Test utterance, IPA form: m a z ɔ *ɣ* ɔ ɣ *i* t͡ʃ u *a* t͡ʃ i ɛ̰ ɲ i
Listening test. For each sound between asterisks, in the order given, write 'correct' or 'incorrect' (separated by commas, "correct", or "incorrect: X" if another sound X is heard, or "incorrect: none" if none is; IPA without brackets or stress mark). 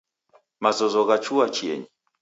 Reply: incorrect: z, incorrect: a, correct